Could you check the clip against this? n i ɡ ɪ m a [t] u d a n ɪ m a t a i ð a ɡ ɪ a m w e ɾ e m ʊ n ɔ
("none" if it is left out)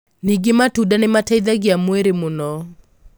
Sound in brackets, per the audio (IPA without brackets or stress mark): t